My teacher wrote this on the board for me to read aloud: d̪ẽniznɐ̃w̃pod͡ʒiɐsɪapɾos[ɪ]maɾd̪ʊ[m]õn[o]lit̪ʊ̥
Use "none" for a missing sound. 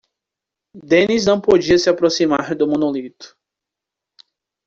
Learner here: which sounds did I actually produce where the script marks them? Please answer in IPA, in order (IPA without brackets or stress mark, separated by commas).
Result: i, m, o